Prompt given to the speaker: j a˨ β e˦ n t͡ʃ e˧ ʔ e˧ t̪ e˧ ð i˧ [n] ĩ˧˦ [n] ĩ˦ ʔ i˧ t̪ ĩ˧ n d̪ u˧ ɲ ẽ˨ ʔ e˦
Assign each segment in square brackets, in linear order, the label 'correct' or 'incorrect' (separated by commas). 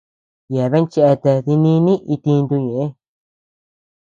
correct, correct